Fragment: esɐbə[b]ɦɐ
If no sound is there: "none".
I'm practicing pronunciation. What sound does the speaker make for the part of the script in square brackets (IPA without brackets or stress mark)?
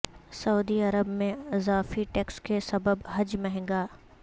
b